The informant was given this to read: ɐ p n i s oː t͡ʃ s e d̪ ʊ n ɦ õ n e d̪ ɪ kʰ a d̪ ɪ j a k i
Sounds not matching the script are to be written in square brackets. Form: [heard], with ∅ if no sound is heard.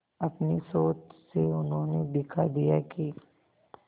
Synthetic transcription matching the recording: ɐ p n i s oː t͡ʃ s e [∅] ʊ n ɦ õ n e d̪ ɪ kʰ a d̪ [i] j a k i